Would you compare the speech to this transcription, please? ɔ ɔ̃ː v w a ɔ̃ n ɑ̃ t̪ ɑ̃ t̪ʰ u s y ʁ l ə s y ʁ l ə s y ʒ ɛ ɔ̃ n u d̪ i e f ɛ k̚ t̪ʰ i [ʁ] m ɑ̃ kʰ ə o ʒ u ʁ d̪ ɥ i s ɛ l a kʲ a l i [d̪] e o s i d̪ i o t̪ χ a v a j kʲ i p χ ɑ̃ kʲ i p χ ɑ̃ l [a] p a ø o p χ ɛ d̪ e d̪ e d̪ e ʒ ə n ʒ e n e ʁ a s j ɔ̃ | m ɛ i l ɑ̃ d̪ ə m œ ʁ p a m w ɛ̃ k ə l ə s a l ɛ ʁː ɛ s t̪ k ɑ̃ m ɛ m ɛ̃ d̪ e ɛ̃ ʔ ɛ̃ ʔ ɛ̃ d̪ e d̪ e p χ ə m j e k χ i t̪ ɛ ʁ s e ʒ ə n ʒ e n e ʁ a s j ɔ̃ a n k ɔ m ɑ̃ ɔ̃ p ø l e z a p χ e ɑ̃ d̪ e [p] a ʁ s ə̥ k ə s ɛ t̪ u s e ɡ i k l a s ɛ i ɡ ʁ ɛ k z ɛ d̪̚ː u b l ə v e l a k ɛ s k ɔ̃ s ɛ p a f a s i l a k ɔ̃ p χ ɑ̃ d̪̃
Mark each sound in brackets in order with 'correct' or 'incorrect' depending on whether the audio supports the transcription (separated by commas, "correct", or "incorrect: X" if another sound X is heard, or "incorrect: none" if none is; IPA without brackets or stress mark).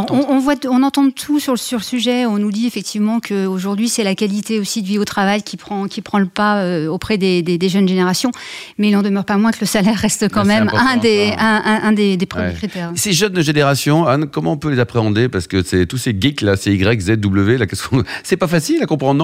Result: incorrect: v, incorrect: t̪, incorrect: ə, correct